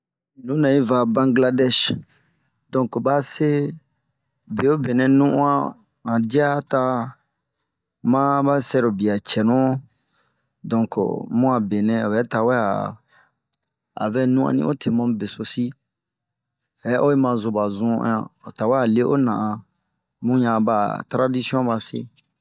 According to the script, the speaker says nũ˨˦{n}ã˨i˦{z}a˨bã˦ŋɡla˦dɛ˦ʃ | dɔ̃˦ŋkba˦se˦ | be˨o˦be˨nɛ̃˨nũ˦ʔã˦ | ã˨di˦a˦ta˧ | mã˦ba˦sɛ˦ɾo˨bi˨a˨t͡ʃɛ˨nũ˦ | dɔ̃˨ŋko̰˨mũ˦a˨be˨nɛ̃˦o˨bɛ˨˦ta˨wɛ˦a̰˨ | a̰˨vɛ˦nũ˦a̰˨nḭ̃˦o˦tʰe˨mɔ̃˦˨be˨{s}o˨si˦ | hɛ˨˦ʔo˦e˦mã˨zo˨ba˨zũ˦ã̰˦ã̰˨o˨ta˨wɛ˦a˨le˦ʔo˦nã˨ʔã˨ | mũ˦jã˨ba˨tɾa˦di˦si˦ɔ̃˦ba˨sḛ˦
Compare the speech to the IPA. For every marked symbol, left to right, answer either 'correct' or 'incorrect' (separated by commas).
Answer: correct, incorrect, correct